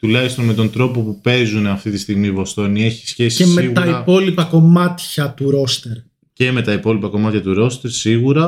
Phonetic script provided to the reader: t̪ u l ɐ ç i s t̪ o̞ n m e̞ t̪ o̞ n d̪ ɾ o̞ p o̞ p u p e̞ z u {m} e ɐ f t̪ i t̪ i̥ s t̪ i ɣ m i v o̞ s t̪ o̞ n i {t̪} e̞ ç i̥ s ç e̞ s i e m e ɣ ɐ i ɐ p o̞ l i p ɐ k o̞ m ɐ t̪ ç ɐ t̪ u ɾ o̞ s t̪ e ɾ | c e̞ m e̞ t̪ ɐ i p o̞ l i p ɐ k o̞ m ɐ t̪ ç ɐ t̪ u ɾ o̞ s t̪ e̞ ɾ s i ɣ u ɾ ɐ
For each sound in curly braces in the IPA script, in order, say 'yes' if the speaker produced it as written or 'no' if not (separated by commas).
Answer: no, no